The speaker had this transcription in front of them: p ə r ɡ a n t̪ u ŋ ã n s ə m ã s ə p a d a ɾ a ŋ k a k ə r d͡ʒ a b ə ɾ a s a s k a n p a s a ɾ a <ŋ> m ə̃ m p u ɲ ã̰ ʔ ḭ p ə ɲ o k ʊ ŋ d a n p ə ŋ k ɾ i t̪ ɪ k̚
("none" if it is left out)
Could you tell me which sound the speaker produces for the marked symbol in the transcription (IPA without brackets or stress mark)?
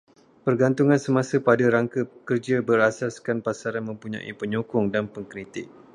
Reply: n